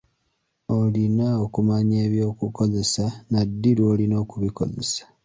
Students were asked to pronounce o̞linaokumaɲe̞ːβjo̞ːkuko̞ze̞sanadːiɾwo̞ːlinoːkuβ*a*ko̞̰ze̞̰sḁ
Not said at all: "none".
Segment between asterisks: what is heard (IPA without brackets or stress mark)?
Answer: i